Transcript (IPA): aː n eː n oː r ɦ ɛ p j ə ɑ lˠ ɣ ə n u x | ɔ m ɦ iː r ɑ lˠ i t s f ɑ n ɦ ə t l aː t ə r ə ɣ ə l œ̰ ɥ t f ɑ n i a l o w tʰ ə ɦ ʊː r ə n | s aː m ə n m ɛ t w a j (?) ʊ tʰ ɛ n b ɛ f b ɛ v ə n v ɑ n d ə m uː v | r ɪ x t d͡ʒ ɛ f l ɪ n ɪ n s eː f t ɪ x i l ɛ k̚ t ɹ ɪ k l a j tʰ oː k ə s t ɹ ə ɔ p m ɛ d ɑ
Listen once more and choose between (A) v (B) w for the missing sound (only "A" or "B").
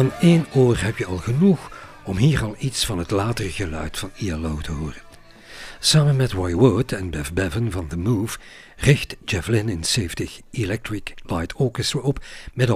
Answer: B